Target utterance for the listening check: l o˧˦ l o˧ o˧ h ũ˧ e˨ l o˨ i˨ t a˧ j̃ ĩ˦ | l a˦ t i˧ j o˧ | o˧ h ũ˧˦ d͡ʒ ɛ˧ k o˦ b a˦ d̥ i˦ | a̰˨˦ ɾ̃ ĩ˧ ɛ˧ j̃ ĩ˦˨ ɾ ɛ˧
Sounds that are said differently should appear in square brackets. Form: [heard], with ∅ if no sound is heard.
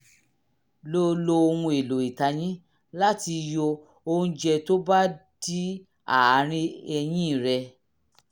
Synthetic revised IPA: l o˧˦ l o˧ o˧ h ũ˧ e˨ l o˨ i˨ t a˧ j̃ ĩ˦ | l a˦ t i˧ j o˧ | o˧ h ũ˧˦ d͡ʒ ɛ˧ [t] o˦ b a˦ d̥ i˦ | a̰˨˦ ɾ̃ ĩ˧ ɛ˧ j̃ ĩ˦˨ ɾ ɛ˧

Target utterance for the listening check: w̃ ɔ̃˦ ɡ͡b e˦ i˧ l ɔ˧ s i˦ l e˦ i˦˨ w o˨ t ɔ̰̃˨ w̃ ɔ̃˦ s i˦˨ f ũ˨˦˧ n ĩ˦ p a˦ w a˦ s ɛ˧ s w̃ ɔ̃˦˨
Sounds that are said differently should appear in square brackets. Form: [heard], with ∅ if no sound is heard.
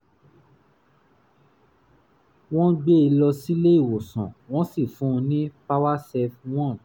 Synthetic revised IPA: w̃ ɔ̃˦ ɡ͡b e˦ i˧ l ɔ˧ s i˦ l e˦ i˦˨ w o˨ [s] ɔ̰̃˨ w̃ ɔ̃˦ s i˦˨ f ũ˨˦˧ n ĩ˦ p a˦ w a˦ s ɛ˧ [f] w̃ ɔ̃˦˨

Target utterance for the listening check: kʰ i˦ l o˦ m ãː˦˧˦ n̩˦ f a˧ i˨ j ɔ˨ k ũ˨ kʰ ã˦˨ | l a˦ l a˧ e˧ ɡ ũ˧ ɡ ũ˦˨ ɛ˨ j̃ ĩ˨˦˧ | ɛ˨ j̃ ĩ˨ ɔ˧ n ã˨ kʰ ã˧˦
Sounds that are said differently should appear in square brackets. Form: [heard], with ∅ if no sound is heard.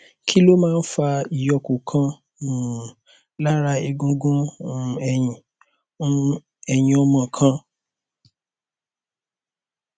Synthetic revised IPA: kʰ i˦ l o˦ m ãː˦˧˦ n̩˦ f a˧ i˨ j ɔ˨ k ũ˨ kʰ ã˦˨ | l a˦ [ɾ] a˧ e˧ ɡ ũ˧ ɡ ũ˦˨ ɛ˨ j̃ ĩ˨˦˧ | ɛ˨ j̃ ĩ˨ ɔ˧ [m] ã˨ kʰ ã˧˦

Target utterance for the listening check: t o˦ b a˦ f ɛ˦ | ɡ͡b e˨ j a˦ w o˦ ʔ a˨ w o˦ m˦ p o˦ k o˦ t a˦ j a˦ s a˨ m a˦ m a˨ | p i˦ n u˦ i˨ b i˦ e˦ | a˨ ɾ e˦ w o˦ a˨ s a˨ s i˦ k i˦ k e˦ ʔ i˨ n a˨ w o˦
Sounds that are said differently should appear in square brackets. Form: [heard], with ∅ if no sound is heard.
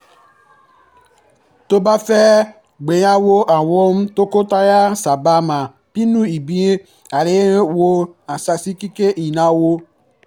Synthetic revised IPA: t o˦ b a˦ f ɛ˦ | ɡ͡b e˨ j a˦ w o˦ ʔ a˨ w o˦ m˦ [t] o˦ k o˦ t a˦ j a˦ s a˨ [b] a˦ m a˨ | p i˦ n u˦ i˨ b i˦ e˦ | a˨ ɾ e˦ w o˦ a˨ s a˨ s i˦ k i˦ k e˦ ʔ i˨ n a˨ w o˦

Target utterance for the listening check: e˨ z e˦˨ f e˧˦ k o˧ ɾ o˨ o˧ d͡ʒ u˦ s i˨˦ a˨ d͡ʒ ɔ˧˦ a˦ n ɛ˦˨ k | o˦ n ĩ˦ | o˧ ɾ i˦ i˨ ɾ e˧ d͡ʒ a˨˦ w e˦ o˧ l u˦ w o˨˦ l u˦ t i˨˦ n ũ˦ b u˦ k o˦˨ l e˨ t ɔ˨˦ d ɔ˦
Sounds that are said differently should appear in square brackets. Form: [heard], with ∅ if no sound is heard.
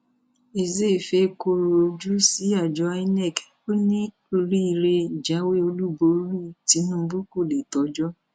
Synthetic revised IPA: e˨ z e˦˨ f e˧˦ k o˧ ɾ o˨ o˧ d͡ʒ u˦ s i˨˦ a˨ d͡ʒ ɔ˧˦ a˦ n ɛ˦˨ k | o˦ n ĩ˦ | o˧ ɾ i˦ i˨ ɾ e˧ d͡ʒ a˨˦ w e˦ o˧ l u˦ [b] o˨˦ l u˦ t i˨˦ n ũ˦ b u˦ k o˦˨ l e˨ t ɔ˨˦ [d͡ʒ] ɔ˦

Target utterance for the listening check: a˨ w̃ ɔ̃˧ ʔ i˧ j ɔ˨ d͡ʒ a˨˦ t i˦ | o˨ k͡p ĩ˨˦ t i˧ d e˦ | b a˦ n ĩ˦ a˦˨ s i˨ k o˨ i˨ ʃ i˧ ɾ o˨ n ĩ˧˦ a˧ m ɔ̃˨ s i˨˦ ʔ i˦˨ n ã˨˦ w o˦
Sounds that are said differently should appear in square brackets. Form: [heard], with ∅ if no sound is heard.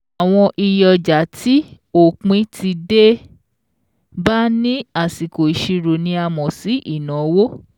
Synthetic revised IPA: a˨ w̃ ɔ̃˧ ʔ i˧ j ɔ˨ d͡ʒ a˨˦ t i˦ | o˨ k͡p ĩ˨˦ t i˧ d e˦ | b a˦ n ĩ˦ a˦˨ s i˨ k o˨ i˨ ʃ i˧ ɾ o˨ n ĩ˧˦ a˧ m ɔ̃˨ s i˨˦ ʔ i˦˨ n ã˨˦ w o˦

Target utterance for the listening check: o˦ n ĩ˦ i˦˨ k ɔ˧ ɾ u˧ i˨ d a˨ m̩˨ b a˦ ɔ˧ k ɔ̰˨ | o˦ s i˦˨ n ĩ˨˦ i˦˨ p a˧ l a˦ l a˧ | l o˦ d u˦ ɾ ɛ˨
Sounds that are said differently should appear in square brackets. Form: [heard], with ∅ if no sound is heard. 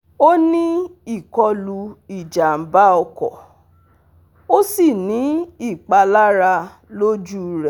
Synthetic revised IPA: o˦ n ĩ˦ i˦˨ k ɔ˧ [l] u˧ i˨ [d͡ʒ] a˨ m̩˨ b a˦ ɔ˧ k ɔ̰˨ | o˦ s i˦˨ n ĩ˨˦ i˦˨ [k͡p] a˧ l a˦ [ɾ] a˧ | l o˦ [d͡ʒ] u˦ ɾ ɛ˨

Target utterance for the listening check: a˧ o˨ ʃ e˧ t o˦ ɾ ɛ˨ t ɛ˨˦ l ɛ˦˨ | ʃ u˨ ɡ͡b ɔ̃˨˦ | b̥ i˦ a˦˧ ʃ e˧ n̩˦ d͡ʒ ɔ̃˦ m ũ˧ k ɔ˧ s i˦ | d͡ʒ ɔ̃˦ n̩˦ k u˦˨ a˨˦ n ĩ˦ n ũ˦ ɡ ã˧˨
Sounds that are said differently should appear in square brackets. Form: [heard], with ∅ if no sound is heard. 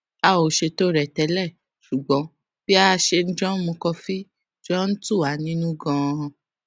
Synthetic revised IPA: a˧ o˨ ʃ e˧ t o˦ ɾ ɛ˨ t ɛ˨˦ l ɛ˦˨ | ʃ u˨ ɡ͡b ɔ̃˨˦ | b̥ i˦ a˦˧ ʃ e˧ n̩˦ d͡ʒ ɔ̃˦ m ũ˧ k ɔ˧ [f] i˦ | d͡ʒ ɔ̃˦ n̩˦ [t] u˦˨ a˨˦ n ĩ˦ n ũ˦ ɡ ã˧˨

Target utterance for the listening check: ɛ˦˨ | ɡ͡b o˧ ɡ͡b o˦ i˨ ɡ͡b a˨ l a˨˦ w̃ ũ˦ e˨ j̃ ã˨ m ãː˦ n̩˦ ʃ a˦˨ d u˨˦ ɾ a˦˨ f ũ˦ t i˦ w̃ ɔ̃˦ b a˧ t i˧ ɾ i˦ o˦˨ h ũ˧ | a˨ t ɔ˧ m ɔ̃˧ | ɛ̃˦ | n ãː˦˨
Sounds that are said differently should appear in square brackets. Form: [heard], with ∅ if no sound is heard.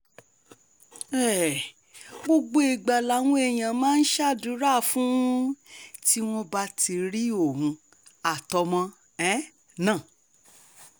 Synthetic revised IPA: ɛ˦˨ | ɡ͡b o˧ ɡ͡b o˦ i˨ ɡ͡b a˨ l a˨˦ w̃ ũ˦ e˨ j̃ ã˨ m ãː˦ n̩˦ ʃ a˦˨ d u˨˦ ɾ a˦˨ f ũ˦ t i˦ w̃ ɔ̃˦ b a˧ t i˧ ɾ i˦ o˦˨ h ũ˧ | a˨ t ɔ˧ m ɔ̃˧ | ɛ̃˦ | n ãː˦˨

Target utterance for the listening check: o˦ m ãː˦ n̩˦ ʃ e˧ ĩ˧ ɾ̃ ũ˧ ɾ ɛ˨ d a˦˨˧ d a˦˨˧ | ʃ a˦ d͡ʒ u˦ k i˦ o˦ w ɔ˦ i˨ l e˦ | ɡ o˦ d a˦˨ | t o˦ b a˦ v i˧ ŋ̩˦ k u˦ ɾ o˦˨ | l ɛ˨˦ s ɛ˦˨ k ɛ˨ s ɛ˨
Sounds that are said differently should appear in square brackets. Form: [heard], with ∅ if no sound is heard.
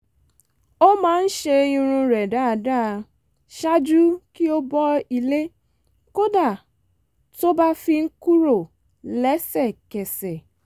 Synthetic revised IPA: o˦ m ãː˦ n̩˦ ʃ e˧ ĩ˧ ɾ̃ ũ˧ ɾ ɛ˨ d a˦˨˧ d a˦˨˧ | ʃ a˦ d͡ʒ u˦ k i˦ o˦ [b] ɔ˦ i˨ l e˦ | [k] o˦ d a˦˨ | t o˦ b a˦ [f] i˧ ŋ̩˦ k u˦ ɾ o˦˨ | l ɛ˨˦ s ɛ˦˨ k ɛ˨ s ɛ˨

